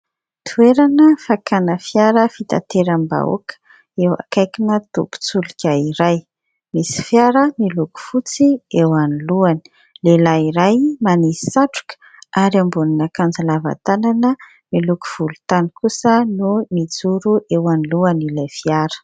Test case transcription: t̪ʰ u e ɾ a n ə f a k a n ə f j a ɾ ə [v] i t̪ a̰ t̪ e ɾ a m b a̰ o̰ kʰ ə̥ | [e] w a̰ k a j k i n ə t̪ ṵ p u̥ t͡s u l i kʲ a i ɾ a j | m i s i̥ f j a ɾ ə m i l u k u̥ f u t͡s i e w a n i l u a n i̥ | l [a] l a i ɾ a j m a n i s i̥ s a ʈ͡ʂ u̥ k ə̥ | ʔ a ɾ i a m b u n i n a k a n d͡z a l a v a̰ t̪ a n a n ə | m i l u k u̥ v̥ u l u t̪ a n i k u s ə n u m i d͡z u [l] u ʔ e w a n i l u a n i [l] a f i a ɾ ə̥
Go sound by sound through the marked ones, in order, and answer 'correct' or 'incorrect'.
incorrect: f, correct, incorrect: e, incorrect: ɾ, correct

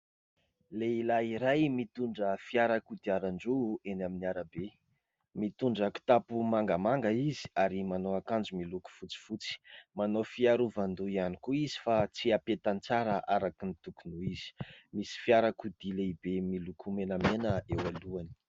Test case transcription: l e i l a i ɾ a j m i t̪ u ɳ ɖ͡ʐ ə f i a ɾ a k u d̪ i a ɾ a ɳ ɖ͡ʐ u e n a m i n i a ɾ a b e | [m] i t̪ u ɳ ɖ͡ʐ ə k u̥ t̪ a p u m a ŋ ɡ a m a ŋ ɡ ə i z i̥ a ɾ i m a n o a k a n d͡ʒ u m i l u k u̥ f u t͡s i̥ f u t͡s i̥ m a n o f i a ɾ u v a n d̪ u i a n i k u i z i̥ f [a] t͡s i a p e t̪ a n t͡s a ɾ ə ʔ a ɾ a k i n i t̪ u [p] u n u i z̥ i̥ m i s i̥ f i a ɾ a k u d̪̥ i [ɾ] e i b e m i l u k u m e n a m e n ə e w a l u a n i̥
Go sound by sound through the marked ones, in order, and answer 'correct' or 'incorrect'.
correct, correct, incorrect: k, incorrect: l

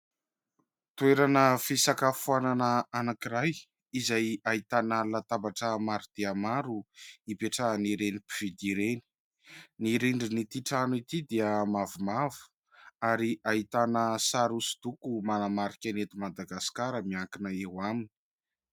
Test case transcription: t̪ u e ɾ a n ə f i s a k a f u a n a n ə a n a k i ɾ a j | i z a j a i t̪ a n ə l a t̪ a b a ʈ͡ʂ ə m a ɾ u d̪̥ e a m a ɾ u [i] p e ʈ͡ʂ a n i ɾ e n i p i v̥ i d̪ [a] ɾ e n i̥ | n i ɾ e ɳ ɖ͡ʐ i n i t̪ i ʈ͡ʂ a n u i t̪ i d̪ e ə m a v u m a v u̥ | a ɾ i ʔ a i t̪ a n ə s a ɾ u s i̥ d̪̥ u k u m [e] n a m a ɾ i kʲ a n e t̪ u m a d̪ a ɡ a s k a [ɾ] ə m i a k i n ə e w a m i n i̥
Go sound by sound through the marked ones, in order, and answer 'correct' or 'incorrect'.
correct, incorrect: i, incorrect: a, correct

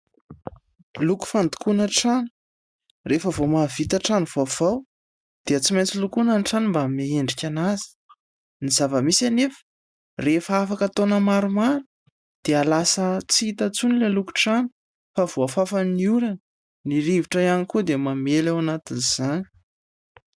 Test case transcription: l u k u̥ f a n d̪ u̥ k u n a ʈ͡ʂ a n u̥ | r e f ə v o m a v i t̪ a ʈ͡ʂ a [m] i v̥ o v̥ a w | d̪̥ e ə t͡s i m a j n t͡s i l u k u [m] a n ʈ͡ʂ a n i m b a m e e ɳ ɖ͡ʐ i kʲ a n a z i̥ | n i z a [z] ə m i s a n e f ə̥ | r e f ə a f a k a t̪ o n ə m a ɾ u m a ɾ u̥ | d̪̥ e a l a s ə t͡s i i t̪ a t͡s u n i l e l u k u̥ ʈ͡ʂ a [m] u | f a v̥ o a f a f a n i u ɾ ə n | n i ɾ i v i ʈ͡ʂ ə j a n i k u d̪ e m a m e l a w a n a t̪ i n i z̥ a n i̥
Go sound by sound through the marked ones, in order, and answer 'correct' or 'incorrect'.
incorrect: n, incorrect: n, incorrect: v, incorrect: n

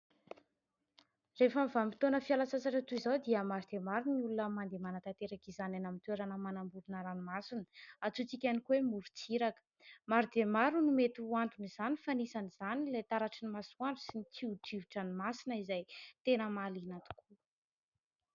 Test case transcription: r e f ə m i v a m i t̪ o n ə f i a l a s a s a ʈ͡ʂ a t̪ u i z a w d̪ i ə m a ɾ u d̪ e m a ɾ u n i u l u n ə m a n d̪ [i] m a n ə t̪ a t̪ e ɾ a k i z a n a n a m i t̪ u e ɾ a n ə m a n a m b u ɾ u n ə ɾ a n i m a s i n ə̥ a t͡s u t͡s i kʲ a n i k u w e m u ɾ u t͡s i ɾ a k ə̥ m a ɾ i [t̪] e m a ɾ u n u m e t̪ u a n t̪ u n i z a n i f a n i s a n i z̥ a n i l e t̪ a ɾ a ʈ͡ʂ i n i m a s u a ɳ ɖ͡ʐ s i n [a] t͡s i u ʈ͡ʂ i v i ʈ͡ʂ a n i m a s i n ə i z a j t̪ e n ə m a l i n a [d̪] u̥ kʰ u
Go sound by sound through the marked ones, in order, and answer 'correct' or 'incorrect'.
incorrect: e, incorrect: d̪, incorrect: i, incorrect: t̪

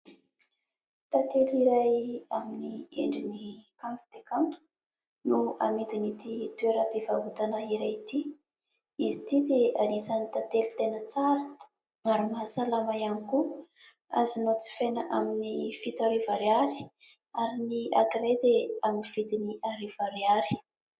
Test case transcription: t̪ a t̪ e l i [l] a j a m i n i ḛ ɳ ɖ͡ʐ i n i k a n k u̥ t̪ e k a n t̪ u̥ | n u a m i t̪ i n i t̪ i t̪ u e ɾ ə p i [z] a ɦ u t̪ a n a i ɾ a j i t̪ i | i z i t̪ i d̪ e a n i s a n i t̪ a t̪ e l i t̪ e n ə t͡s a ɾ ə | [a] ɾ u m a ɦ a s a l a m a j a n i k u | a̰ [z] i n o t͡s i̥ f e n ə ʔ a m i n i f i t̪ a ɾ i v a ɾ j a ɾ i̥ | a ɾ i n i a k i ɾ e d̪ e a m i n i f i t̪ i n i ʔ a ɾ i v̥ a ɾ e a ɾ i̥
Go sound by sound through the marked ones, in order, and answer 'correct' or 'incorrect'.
incorrect: ɾ, incorrect: v, correct, correct

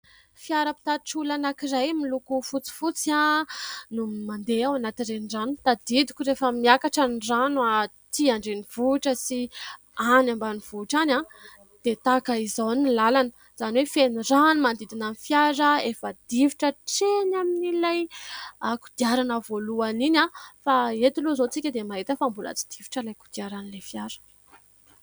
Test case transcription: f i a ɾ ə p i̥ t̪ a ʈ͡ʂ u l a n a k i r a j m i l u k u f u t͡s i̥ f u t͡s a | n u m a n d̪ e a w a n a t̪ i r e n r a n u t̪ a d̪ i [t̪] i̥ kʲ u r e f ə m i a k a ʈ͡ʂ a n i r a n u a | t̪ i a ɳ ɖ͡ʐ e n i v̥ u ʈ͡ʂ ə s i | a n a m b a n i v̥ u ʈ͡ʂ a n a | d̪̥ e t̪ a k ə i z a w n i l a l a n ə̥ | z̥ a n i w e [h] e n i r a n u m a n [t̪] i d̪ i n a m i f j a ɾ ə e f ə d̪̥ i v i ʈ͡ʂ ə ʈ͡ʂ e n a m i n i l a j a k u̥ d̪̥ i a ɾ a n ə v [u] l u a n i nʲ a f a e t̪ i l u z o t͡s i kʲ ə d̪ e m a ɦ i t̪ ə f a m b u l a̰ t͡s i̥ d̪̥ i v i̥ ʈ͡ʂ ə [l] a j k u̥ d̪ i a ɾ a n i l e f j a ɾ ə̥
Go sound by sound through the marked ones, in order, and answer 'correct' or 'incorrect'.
incorrect: d̪, incorrect: f, incorrect: d̪, incorrect: o, correct

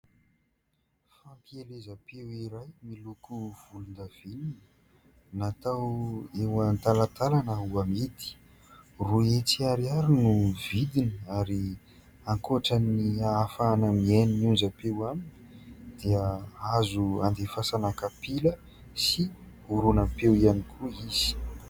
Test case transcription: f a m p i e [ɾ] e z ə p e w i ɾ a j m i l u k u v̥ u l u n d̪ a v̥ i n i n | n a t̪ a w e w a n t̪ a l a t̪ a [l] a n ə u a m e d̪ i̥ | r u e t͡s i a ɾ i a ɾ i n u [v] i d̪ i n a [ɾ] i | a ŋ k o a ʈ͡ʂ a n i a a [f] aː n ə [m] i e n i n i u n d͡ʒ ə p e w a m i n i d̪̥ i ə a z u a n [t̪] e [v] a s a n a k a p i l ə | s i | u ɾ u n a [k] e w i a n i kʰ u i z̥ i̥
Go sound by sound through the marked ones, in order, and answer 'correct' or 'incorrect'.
incorrect: l, correct, correct, correct, correct, correct, incorrect: d̪, incorrect: f, incorrect: p

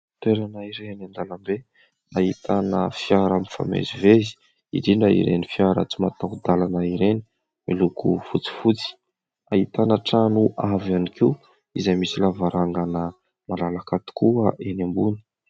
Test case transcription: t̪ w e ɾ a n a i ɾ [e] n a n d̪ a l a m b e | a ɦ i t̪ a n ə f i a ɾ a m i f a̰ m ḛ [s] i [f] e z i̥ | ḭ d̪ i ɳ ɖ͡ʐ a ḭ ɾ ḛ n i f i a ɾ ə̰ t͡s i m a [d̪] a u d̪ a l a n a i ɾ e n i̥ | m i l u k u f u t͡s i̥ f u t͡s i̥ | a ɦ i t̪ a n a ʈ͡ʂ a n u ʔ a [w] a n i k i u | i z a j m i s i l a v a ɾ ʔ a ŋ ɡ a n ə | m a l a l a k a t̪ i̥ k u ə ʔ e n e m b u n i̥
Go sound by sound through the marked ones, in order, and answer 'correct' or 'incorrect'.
correct, incorrect: z, incorrect: v, incorrect: t̪, incorrect: v

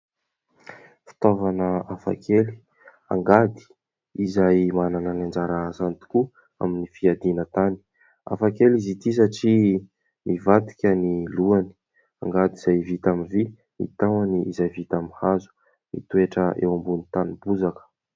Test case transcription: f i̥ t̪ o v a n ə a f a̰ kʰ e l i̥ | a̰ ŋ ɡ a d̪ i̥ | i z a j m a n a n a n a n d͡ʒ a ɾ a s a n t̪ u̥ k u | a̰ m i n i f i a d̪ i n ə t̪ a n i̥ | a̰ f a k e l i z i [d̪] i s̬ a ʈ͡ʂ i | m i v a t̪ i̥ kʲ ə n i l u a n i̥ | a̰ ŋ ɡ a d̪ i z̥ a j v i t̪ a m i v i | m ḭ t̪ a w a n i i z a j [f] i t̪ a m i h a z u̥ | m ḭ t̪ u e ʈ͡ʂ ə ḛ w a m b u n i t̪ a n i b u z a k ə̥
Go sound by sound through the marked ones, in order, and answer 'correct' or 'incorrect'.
incorrect: t̪, incorrect: v

